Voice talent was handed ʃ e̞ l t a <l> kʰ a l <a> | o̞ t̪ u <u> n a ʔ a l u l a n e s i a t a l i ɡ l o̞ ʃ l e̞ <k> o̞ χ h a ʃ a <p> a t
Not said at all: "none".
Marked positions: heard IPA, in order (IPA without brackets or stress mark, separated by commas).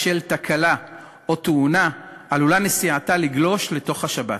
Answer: none, a, u, t, b